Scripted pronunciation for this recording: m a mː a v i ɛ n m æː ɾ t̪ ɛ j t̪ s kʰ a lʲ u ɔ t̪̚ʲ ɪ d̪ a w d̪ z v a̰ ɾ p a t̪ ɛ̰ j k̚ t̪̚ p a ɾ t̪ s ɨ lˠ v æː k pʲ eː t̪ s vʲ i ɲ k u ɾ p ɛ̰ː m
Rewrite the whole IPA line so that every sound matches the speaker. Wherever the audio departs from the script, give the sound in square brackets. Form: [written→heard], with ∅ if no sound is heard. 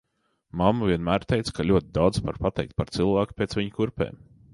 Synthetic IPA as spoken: m a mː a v i ɛ n m æː ɾ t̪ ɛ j t̪ s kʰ a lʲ u ɔ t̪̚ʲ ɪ d̪ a w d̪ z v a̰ ɾ p a t̪ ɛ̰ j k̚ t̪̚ p a ɾ t̪ s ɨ lˠ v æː k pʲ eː t̪ s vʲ i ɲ k u ɾ p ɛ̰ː m